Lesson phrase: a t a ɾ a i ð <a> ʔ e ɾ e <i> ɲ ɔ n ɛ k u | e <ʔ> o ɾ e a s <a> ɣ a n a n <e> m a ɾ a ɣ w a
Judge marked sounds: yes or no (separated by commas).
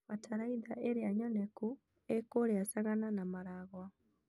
yes, no, no, yes, no